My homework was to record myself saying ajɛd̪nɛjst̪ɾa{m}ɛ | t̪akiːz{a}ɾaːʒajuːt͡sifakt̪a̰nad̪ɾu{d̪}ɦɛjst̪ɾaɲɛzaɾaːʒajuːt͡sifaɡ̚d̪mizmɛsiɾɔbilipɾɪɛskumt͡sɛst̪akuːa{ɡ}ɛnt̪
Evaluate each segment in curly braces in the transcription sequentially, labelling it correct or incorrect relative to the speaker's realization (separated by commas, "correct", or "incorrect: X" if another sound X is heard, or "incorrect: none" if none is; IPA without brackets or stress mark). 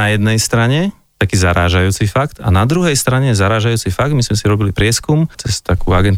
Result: incorrect: ɲ, correct, incorrect: none, correct